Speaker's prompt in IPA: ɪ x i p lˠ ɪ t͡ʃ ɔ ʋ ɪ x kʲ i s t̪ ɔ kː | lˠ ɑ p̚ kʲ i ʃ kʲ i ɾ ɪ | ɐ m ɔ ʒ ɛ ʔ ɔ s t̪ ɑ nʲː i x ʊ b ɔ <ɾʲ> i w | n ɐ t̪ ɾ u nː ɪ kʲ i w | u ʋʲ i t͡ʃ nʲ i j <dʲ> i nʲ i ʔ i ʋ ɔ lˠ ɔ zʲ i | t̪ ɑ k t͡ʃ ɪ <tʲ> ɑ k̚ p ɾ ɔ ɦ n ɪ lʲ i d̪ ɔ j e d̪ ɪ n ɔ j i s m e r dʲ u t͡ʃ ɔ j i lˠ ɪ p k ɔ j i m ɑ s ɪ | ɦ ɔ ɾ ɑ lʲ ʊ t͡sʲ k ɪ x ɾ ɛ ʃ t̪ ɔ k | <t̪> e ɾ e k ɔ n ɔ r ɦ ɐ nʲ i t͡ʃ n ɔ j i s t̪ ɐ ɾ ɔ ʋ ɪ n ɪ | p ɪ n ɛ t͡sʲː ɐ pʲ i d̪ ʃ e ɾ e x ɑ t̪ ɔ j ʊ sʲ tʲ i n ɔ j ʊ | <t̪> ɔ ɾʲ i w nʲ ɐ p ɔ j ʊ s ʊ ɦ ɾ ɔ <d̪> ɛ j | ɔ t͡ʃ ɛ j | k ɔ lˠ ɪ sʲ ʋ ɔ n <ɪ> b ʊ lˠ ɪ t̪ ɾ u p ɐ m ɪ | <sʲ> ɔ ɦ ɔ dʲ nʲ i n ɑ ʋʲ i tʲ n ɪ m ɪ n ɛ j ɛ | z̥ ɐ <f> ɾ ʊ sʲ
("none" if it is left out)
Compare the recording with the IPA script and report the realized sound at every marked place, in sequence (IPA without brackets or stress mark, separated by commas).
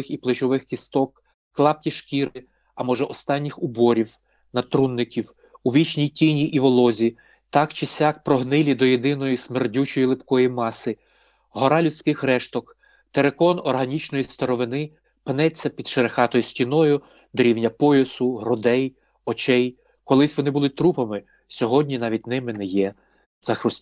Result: ɾʲ, tʲ, sʲ, t̪, d̪, d̪, ɪ, sʲ, x